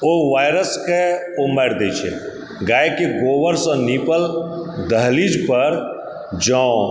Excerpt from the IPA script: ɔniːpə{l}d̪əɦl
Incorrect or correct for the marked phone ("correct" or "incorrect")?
correct